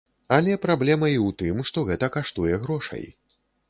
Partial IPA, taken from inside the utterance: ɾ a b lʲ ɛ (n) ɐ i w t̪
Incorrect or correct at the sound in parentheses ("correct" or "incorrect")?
incorrect